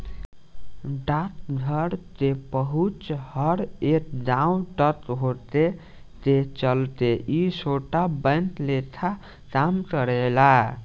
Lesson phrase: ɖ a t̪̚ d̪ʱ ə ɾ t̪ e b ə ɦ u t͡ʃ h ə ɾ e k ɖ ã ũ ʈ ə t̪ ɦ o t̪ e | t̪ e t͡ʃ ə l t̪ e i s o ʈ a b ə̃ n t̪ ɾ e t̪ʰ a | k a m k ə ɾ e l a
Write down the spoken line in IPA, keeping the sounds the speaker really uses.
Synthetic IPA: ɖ a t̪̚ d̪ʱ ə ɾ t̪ e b ə ɦ u t͡ʃ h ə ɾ e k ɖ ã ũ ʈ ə t̪ ɦ o t̪ e | t̪ e t͡ʃ ə l t̪ e i s o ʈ a b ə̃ n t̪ l e t̪ʰ a | k a m k ə ɾ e l a